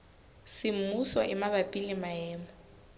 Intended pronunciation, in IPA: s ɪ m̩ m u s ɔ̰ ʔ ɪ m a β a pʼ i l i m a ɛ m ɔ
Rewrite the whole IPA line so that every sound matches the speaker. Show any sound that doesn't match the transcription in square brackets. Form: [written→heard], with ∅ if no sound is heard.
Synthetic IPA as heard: s ɪ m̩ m u s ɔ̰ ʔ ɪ m a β a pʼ i l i m a [ɛ→ɛː] m ɔ